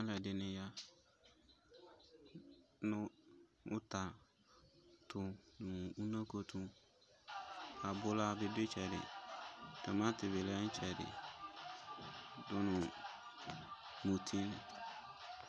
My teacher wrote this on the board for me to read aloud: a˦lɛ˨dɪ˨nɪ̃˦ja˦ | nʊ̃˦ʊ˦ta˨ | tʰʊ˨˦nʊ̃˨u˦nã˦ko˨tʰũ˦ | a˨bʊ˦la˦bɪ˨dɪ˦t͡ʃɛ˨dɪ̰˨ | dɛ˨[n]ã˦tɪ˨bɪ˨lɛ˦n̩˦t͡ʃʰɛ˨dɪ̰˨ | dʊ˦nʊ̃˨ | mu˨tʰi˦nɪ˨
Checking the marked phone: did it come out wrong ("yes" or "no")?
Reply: yes